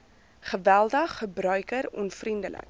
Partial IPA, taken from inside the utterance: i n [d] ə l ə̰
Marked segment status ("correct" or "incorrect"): correct